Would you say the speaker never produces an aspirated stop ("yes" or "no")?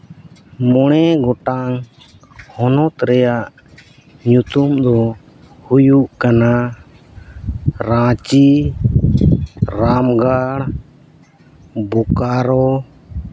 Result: yes